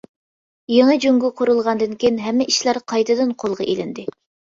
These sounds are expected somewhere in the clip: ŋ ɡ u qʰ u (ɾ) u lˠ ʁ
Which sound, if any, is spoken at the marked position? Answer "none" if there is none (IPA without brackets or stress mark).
ɾ